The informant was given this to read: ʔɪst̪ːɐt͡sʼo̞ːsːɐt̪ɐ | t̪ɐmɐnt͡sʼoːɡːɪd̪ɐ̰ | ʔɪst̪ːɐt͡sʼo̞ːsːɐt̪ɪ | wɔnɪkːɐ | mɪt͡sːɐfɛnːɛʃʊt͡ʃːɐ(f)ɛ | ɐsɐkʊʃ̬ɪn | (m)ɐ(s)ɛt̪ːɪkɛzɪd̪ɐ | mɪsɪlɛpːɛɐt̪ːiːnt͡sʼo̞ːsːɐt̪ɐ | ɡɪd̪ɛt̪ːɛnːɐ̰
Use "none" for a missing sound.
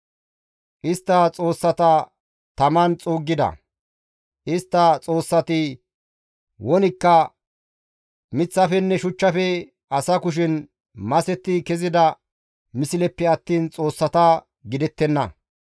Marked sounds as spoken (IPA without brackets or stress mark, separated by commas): f, m, s